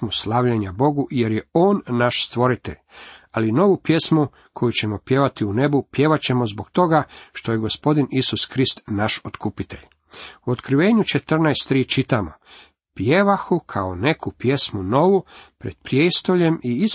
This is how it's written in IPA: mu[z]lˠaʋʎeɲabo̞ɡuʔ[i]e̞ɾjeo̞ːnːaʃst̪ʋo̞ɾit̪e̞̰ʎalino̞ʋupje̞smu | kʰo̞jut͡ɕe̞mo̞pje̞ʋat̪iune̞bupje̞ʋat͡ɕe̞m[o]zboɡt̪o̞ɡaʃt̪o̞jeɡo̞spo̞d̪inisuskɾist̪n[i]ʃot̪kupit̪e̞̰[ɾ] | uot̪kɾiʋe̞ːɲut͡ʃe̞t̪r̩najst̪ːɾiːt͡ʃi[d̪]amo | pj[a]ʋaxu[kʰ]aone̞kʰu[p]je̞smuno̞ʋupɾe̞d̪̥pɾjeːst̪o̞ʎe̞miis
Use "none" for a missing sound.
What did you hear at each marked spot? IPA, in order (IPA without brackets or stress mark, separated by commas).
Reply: s, j, o, a, ʎ, t̪, e, kʰ, p